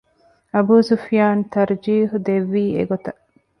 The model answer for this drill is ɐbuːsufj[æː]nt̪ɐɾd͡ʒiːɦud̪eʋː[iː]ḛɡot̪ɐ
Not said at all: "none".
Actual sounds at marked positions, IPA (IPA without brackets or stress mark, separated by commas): aː, iː